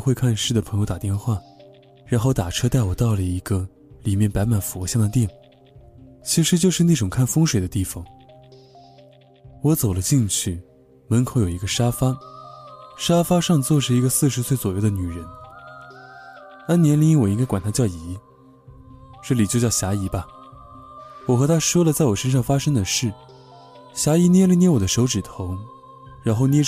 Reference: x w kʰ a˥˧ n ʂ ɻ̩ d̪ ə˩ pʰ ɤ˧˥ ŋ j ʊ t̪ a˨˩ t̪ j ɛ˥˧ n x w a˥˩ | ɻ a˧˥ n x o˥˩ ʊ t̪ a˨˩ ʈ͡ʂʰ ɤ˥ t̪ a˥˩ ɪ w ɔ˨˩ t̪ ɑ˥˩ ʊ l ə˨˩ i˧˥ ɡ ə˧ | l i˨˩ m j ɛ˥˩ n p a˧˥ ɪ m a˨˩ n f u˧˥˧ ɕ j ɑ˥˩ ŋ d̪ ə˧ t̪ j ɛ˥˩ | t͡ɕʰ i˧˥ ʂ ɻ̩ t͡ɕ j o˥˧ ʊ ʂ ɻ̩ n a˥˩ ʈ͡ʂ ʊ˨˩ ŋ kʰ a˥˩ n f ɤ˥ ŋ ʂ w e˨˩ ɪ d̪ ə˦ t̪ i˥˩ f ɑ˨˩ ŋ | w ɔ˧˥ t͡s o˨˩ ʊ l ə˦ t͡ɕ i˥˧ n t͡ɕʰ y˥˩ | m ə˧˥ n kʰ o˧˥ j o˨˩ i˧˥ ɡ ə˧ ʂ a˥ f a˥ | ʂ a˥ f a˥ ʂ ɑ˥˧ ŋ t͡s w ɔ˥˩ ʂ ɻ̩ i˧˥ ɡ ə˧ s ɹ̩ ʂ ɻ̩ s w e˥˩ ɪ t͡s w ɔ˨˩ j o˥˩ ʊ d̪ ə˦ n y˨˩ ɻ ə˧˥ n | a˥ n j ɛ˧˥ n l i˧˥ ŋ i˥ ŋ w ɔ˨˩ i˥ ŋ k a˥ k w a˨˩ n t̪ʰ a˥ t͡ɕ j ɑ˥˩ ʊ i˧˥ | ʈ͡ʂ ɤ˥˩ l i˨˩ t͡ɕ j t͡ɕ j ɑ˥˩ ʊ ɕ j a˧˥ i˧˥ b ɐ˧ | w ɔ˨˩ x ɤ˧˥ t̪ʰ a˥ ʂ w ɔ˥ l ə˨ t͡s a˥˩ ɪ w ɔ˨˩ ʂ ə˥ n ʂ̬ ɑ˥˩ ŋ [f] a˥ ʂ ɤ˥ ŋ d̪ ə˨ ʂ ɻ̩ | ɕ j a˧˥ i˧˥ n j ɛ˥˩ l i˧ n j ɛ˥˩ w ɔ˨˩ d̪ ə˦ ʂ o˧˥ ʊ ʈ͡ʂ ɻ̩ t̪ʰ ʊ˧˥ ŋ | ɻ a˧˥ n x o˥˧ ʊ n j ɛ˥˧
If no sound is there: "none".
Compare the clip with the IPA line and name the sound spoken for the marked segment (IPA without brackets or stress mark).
f